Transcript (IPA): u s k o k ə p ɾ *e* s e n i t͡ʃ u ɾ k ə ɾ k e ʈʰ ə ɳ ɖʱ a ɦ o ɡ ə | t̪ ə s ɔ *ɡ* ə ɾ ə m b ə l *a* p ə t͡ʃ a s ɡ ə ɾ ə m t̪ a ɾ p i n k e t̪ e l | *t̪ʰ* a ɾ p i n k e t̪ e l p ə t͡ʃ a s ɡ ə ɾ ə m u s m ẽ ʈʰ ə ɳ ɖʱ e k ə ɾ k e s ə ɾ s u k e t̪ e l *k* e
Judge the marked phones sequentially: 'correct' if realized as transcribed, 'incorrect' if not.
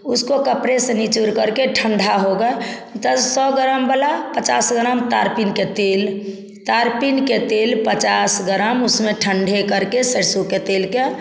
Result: correct, correct, correct, incorrect, correct

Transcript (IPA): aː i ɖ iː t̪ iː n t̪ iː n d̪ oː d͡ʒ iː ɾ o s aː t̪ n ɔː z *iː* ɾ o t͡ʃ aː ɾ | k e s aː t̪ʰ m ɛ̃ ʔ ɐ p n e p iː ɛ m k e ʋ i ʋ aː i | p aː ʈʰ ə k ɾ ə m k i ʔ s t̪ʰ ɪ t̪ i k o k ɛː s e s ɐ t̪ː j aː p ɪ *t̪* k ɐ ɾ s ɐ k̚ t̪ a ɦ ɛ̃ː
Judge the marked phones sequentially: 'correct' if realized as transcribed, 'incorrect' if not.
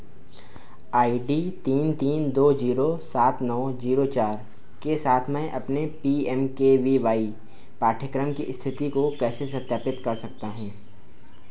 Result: correct, correct

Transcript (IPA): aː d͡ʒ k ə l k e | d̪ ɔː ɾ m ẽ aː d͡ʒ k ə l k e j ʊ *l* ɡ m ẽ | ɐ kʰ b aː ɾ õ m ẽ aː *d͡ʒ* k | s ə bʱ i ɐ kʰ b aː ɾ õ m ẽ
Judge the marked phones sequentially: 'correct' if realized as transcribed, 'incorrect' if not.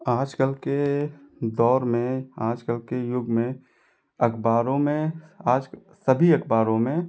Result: incorrect, correct

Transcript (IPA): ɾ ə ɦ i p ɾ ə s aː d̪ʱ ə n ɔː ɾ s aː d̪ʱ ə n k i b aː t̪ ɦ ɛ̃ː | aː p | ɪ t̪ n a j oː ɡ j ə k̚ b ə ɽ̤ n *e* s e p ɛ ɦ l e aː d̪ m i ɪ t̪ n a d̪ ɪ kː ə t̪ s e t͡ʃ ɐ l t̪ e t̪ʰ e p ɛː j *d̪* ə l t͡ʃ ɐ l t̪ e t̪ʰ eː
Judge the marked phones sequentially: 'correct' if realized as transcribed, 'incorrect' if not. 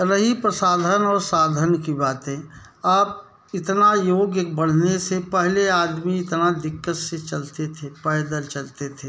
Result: correct, correct

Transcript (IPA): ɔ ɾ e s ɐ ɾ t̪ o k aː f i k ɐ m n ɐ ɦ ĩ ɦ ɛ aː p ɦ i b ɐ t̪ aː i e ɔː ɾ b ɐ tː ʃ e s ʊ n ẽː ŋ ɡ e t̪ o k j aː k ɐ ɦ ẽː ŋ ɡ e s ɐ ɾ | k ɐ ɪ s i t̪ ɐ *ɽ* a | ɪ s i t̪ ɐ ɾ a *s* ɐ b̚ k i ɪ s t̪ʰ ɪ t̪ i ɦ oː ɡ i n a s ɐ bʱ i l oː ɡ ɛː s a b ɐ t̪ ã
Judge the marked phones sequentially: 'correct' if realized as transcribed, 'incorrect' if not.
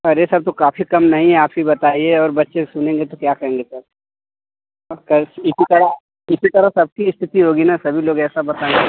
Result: incorrect, correct

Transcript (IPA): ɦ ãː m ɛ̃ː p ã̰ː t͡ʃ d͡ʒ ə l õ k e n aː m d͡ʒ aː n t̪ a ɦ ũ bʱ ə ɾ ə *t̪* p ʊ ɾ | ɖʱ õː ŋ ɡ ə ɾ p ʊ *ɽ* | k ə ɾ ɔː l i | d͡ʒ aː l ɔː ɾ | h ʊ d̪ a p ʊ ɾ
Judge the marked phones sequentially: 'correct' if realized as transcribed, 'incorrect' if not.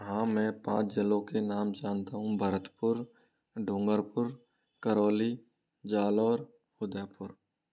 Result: correct, incorrect

